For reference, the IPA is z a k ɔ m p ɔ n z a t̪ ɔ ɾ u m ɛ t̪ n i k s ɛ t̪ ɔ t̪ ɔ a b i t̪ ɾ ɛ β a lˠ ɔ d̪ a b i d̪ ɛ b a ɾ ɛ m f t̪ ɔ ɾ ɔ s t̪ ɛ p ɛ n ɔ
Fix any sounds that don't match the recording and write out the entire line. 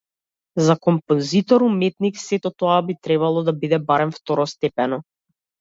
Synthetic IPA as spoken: z a k ɔ m p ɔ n z i t̪ ɔ ɾ u m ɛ t̪ n i k s ɛ t̪ ɔ t̪ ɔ a b i t̪ ɾ ɛ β a lˠ ɔ d̪ a b i d̪ ɛ b a ɾ ɛ m f t̪ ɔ ɾ ɔ s t̪ ɛ p ɛ n ɔ